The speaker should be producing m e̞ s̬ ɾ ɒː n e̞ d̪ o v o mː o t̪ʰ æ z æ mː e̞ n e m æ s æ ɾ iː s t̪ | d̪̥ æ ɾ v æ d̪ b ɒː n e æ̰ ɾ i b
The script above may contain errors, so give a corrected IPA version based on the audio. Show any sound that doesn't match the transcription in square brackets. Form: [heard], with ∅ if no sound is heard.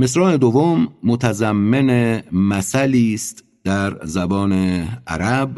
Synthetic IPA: m e̞ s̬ ɾ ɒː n e̞ d̪ o v o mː o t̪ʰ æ z æ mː e̞ n e m æ s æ [l] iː s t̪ | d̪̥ æ ɾ [z] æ [∅] b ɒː n e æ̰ ɾ [æ] b